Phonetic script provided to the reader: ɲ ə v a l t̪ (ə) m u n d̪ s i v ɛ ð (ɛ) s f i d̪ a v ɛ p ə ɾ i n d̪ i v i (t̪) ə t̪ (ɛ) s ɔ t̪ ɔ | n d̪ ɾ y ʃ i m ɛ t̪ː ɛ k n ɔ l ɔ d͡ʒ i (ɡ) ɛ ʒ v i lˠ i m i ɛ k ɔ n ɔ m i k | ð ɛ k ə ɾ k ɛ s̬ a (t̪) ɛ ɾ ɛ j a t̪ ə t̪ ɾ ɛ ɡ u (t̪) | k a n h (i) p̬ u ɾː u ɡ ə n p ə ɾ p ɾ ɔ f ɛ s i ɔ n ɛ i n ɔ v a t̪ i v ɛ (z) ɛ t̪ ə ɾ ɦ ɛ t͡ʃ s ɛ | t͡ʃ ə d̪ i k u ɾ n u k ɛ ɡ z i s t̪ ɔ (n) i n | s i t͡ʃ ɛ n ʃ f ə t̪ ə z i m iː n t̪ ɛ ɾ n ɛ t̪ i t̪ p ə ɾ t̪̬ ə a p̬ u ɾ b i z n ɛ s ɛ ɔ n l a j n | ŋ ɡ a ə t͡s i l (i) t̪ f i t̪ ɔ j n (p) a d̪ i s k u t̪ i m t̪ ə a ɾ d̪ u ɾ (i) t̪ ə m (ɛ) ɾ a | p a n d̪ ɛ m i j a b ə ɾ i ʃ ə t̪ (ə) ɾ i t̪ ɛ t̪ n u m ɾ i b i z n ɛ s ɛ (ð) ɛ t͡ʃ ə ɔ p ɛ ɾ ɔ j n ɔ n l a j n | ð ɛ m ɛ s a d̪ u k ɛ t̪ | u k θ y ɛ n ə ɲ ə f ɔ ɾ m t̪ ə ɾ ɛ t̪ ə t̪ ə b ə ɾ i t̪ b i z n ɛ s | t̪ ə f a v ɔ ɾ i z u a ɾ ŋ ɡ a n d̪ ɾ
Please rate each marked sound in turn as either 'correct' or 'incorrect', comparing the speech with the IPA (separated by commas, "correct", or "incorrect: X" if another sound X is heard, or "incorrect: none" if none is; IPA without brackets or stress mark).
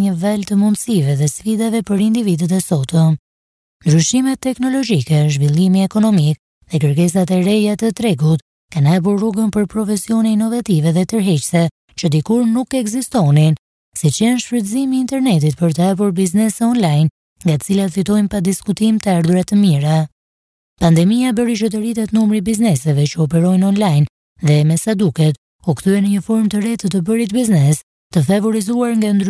correct, correct, incorrect: d̪, correct, incorrect: k, correct, correct, incorrect: a, incorrect: ð, correct, incorrect: a, correct, incorrect: a, incorrect: i, correct, incorrect: v